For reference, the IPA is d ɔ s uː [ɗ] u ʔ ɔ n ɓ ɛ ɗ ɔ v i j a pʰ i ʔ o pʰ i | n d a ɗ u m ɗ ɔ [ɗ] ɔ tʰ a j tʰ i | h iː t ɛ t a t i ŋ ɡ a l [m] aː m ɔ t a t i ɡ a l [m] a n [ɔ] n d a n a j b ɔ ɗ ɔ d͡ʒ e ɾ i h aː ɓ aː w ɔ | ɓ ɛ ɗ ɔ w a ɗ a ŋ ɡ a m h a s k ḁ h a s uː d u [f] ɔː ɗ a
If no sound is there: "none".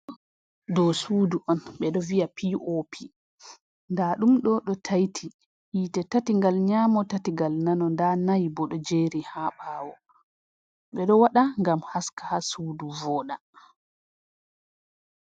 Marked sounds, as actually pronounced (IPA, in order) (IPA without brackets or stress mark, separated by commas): d, ɗ, ɲ, n, ɔ, v